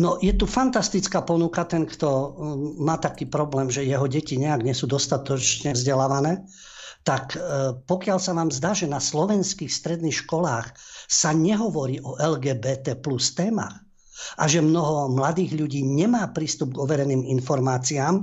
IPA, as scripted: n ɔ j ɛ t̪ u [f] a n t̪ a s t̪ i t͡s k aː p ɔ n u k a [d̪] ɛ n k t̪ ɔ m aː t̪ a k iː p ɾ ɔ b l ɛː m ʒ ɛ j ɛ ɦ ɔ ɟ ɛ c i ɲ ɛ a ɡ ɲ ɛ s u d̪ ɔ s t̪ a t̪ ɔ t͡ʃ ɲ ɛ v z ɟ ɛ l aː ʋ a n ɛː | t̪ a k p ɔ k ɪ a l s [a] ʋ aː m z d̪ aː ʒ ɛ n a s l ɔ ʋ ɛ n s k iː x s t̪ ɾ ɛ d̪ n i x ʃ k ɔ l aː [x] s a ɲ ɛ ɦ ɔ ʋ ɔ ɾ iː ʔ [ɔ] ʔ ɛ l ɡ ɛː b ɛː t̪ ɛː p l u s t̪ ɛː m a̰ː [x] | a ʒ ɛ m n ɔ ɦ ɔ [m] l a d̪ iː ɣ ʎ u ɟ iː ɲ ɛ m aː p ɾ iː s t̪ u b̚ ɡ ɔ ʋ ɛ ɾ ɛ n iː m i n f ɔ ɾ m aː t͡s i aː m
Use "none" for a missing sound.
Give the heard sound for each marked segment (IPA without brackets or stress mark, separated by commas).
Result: f, t̪, a, x, ɔ, x, m